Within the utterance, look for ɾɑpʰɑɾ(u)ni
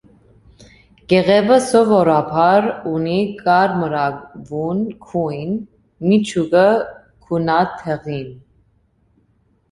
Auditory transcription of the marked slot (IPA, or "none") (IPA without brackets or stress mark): u